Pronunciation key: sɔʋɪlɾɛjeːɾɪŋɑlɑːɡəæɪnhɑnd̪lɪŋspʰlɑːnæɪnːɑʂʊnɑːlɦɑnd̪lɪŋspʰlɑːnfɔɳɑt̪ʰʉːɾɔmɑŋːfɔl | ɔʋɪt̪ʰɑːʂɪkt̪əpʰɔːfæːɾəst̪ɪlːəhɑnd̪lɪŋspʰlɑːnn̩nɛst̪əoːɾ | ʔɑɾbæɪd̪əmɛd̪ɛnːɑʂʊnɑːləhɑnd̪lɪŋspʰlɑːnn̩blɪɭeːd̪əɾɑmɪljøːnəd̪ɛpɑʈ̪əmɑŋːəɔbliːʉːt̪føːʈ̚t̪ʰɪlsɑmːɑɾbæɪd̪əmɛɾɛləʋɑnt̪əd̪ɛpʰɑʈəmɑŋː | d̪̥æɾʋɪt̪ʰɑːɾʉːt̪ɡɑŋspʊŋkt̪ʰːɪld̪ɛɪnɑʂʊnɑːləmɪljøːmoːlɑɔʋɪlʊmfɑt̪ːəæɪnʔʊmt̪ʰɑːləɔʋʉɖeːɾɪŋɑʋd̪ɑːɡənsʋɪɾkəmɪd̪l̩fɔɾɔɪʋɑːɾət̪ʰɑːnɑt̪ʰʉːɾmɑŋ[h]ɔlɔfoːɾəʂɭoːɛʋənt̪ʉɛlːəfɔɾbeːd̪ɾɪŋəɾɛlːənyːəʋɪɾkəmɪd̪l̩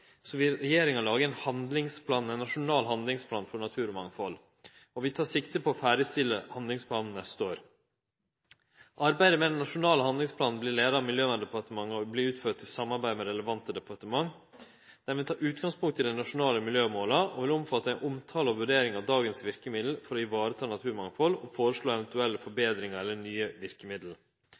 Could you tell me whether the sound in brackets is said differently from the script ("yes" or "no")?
yes